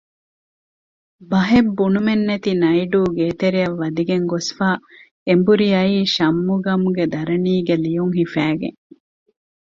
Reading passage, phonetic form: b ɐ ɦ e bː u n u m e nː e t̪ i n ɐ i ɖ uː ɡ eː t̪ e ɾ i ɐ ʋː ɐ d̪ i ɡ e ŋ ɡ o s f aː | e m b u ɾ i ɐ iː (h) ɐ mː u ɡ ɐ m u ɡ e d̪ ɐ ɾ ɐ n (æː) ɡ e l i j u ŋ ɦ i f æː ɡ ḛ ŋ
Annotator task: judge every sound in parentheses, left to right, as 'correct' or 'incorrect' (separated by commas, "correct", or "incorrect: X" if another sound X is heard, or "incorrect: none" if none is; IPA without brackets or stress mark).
incorrect: ʃ, incorrect: iː